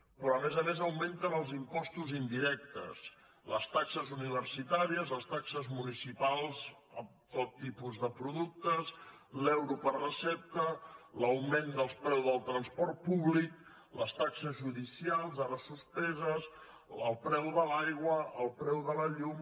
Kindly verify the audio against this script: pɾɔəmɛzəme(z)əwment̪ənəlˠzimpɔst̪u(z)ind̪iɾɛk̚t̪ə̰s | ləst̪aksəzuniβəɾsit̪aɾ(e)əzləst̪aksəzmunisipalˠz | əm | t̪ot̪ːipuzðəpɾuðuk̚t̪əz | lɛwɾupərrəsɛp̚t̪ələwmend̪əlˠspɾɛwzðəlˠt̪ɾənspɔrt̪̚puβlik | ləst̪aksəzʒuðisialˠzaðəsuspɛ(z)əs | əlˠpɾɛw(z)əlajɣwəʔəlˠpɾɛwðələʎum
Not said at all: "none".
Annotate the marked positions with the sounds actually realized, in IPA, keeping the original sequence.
z, z, i, z, ð

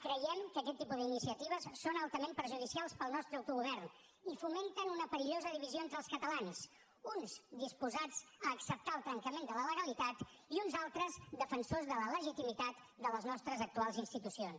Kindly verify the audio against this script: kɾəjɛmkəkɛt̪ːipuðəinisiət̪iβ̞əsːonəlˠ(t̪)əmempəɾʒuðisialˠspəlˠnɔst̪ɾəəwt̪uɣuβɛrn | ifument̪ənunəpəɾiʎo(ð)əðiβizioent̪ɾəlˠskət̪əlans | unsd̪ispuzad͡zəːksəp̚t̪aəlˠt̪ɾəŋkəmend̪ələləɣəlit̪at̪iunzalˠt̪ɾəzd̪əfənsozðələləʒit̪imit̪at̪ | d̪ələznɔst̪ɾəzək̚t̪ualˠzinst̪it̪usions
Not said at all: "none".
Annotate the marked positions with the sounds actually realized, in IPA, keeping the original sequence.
t̪, z

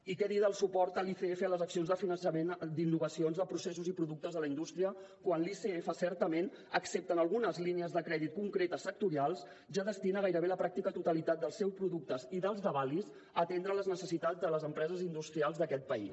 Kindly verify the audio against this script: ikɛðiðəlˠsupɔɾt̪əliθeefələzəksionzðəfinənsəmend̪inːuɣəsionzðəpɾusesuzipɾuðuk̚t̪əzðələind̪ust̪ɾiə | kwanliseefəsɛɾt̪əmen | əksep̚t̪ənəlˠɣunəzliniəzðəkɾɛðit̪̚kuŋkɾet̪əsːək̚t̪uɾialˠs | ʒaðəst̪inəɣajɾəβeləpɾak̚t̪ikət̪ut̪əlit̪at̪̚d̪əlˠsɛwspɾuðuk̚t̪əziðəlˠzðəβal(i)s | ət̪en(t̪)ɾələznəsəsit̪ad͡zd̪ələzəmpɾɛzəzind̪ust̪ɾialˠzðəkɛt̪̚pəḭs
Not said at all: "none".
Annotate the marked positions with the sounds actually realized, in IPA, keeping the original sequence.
i, d̪

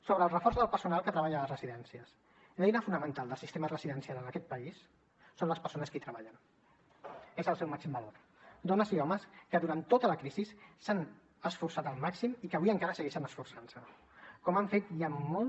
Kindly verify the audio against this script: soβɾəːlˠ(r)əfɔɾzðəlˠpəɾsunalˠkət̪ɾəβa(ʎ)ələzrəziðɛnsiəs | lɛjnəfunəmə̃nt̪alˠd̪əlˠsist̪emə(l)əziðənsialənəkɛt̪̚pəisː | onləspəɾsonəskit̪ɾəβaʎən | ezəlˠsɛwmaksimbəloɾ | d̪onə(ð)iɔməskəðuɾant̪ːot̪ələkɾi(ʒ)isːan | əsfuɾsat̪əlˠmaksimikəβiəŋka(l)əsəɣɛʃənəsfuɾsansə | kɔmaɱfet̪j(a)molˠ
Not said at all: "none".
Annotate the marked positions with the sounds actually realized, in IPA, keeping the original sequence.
r, ʎ, r, z, z, ɾ, a

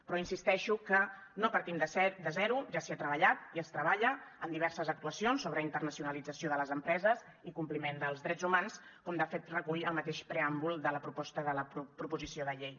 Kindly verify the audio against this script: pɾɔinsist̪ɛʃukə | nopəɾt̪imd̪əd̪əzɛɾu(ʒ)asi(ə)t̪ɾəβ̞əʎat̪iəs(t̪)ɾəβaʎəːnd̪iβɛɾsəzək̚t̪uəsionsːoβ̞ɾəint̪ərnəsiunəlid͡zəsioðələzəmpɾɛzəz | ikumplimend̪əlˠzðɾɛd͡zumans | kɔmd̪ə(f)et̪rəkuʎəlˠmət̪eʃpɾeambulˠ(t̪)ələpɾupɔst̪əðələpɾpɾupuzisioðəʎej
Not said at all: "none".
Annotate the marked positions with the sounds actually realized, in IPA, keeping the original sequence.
ʒ, a, t̪, f, d̪

